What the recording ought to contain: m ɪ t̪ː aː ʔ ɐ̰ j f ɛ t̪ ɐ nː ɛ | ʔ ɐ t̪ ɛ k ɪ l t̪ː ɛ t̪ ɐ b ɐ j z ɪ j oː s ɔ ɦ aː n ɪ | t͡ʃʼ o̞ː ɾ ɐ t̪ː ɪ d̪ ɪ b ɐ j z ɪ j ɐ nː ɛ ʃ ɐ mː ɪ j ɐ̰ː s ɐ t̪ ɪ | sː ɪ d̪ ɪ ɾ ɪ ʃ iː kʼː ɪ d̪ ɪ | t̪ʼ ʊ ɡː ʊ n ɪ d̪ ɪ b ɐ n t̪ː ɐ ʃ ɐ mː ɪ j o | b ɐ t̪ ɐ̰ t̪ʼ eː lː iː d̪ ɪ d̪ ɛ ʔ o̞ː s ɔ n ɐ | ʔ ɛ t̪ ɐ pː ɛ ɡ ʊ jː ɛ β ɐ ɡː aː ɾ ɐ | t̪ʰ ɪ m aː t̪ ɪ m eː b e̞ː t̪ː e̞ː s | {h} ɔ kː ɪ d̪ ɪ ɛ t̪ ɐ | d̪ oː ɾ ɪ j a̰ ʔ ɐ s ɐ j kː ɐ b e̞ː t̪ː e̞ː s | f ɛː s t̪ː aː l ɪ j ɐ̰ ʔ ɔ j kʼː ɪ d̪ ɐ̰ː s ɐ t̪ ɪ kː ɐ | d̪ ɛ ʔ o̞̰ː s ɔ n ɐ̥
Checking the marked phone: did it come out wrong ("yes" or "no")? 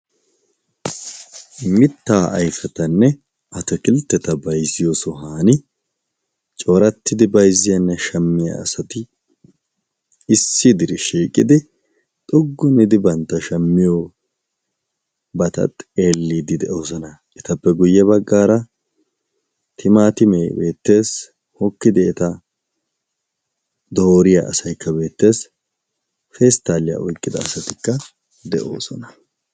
no